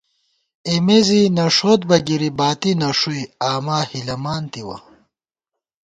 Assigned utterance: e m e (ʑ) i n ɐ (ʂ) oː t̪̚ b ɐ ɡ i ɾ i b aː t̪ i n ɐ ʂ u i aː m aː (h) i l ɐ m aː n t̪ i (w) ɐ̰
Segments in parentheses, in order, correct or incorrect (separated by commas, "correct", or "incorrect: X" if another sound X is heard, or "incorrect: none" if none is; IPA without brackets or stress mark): incorrect: z, correct, correct, correct